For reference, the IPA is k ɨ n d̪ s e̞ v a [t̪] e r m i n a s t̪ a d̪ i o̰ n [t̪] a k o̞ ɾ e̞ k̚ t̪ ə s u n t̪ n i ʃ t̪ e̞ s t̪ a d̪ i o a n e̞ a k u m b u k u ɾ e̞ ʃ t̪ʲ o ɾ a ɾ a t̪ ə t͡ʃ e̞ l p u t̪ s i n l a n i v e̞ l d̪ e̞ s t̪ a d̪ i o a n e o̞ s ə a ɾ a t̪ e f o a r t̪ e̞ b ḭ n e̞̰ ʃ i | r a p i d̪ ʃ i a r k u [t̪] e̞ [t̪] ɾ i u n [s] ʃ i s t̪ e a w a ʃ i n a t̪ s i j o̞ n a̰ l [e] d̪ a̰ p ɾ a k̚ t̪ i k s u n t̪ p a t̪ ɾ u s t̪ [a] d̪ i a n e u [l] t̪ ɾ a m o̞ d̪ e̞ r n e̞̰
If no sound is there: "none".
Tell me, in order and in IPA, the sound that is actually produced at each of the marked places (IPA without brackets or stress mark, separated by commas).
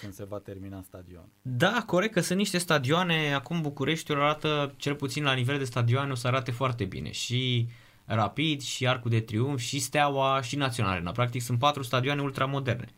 t̪, d̪, d̪, t̪, f, e, a, l